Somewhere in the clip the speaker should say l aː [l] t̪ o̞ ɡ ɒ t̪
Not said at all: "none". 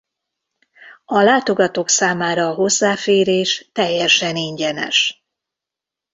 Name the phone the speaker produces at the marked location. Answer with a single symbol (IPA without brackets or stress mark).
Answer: none